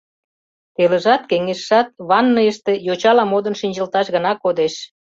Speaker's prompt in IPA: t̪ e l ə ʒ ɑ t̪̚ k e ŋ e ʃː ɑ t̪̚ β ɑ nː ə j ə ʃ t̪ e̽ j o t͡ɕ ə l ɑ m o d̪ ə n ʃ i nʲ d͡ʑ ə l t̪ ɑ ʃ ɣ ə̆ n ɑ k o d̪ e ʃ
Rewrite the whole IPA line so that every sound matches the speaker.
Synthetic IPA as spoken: t̪ e l ə ʒ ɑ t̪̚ k e ŋ e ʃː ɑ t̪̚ β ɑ nː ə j ə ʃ t̪ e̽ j o t͡ɕ ɑ l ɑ m o d̪ ə n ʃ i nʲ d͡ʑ ə l t̪ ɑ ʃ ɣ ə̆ n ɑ k o d̪ e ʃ